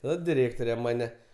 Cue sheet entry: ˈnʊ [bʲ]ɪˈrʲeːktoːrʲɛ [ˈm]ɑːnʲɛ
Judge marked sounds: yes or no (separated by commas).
no, yes